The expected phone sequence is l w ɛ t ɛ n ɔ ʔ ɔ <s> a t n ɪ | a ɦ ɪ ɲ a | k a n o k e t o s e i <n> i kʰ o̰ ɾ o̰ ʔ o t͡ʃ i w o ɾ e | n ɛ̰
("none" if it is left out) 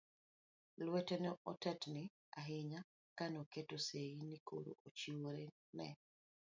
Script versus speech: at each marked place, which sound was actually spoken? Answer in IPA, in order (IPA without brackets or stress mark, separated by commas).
t, n